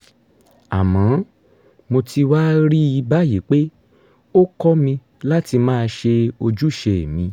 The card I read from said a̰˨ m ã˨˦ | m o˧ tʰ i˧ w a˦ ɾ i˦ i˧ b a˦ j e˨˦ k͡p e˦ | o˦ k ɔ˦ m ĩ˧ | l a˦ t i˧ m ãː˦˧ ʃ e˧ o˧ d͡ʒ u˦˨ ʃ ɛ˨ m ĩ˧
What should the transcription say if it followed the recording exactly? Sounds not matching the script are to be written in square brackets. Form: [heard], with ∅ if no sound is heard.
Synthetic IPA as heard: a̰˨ m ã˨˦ | m o˧ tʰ i˧ w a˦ ɾ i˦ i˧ b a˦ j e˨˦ k͡p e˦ | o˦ k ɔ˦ m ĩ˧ | l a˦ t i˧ m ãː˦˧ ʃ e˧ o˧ d͡ʒ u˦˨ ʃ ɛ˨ m ĩ˧